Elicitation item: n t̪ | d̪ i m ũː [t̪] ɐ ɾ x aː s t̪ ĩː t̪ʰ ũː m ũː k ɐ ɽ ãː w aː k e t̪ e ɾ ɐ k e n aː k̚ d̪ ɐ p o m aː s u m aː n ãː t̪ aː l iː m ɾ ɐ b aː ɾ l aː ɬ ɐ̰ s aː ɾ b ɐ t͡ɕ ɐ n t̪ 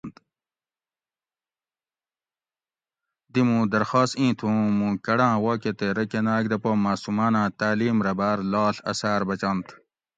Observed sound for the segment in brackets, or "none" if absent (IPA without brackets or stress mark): d̪